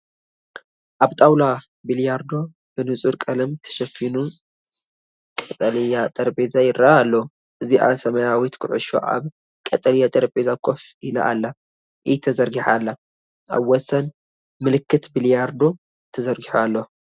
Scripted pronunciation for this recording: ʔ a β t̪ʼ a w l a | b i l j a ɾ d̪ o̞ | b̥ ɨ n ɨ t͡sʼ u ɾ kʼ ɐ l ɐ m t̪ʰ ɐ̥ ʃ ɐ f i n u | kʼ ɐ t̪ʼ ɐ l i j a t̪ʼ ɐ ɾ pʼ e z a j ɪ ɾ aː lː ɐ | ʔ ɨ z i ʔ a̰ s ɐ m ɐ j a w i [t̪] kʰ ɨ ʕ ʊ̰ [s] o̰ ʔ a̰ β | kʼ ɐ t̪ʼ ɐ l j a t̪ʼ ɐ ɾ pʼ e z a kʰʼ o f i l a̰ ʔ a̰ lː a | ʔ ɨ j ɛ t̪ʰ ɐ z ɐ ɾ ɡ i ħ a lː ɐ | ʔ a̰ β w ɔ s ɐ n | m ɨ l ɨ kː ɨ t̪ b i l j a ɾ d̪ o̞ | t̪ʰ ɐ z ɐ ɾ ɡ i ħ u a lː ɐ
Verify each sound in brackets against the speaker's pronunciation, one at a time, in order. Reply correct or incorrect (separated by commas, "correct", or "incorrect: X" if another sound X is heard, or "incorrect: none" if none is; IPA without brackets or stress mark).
correct, incorrect: ʃ